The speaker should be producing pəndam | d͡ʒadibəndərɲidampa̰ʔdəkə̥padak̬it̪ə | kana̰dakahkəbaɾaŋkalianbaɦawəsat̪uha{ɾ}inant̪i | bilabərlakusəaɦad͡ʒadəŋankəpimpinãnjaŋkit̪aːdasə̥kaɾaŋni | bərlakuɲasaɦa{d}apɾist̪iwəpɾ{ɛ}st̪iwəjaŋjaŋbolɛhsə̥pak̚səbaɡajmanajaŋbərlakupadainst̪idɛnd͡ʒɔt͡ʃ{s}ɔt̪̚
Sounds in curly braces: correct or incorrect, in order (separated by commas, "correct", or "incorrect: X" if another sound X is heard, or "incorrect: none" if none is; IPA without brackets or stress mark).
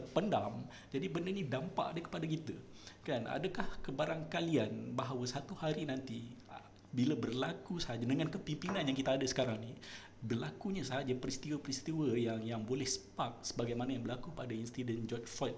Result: correct, incorrect: d͡ʒ, incorrect: i, incorrect: f